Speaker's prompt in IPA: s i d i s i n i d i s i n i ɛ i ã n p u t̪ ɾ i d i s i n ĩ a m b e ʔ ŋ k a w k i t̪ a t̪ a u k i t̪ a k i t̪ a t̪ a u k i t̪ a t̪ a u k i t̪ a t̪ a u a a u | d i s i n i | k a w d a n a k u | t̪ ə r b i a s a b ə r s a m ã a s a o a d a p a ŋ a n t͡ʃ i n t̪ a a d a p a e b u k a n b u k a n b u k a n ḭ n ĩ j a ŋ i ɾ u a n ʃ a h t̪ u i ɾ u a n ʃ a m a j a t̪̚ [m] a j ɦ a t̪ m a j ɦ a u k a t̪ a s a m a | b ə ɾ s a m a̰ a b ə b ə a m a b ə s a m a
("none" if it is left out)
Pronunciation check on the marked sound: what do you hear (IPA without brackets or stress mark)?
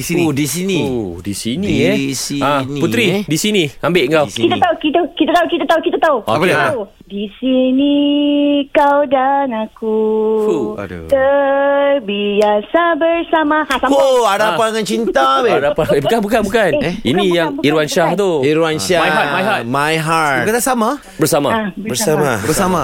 m